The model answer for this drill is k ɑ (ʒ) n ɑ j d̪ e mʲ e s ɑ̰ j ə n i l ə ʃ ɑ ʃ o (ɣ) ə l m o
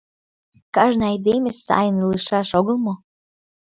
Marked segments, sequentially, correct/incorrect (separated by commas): correct, correct